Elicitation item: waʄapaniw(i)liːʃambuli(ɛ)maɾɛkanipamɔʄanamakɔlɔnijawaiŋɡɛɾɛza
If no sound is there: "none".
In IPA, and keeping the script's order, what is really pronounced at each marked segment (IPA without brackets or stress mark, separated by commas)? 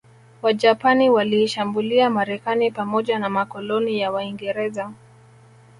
a, a